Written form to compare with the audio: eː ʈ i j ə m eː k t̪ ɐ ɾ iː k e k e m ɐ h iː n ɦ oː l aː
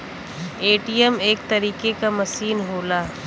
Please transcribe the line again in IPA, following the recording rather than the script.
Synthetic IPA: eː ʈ i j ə m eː k t̪ ɐ ɾ iː k e k a m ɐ s iː n ɦ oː l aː